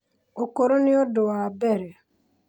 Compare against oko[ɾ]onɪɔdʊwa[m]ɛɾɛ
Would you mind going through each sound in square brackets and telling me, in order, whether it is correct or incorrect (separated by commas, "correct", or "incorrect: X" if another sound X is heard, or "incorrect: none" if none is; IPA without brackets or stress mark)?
correct, incorrect: b